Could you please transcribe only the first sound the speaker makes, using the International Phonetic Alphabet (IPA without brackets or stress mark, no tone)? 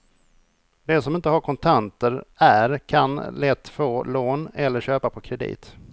d̪